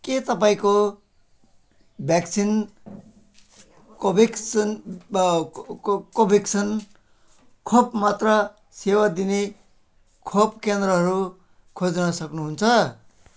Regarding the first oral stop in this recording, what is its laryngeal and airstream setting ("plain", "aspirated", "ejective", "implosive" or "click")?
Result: plain